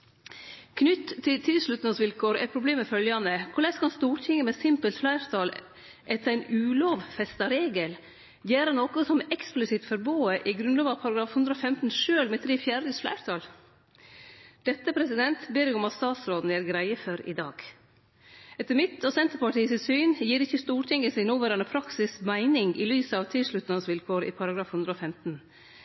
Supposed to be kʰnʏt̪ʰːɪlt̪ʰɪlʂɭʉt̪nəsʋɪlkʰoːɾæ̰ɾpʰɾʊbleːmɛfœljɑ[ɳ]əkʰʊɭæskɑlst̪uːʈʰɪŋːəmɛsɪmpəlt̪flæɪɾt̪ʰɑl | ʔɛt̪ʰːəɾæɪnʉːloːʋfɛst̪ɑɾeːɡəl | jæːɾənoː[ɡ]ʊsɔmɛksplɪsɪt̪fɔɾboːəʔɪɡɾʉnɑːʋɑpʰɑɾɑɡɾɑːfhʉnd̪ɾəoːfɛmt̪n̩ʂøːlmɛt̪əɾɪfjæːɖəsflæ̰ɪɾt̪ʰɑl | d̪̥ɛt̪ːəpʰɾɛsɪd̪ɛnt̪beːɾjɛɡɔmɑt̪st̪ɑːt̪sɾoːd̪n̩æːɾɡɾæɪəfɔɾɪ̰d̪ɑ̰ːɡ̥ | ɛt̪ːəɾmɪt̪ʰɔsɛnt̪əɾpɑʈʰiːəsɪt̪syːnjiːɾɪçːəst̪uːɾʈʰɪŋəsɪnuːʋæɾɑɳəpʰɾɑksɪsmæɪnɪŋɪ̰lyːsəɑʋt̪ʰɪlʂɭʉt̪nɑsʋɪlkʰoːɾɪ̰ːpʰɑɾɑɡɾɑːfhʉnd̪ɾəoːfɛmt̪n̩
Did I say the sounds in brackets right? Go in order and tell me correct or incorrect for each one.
incorrect: n, incorrect: k

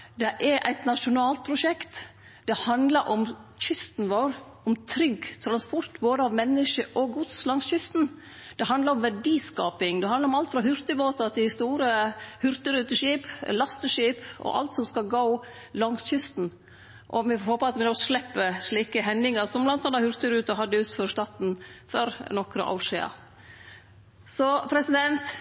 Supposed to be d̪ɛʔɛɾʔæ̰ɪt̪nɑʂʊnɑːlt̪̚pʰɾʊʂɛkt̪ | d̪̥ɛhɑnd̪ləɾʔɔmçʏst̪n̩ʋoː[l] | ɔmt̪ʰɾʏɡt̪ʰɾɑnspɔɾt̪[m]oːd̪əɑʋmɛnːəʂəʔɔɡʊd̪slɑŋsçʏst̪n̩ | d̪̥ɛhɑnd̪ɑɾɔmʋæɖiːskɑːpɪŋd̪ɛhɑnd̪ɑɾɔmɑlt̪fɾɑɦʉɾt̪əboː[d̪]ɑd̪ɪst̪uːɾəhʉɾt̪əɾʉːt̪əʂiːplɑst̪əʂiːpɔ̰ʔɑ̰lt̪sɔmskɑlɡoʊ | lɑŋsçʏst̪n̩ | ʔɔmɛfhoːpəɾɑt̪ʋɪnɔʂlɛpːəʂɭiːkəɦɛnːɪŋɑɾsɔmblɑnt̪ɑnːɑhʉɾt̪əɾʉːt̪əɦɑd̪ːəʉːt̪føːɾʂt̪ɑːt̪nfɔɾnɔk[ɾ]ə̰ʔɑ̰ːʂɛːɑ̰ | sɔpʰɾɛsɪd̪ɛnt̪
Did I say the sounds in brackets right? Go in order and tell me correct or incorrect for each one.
incorrect: ɾ, incorrect: b, incorrect: t̪, correct

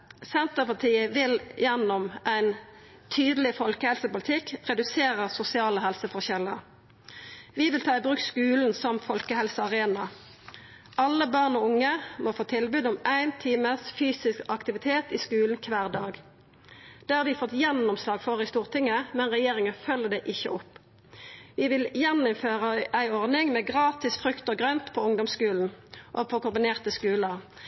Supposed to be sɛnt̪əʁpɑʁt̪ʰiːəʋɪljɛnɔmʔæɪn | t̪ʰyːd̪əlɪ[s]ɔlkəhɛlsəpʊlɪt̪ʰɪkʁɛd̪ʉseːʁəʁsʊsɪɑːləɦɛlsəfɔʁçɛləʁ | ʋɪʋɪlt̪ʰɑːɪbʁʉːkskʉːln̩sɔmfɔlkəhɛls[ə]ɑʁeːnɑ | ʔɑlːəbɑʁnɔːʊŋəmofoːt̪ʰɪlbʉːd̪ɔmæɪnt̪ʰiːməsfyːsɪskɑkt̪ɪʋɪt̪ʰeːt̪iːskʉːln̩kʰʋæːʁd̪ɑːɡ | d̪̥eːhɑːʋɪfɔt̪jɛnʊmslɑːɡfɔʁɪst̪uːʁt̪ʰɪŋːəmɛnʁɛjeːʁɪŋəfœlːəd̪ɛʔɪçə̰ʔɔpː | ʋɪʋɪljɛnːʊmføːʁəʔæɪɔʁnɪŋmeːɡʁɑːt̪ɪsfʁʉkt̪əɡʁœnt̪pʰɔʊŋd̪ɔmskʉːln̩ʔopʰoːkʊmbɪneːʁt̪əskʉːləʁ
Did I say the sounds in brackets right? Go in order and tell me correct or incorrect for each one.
incorrect: f, correct

